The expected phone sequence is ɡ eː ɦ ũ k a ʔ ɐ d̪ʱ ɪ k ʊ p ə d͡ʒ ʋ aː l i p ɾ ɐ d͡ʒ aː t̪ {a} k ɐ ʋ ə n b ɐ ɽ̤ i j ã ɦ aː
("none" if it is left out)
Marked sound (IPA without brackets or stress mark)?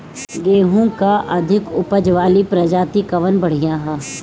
i